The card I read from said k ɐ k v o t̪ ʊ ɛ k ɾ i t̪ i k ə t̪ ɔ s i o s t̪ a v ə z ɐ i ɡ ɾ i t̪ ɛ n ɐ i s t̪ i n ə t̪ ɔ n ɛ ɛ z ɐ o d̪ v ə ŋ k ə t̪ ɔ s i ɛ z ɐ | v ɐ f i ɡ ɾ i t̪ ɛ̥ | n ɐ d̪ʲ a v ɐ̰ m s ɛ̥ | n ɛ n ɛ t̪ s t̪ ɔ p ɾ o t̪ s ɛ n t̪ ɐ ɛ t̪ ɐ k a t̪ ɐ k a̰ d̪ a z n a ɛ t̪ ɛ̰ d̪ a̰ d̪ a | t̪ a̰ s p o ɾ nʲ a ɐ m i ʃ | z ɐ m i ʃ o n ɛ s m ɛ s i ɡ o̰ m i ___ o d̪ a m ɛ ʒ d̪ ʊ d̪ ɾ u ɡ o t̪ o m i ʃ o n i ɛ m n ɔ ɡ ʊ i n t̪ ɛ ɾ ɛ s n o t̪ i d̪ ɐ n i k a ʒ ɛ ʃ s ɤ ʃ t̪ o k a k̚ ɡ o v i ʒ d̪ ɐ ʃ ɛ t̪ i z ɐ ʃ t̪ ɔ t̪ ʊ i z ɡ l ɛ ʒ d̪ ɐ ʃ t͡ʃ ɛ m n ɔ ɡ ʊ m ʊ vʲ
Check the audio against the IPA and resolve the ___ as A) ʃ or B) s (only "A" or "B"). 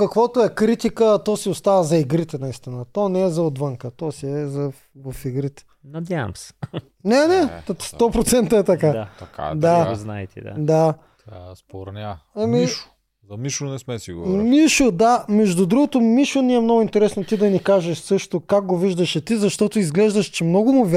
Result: A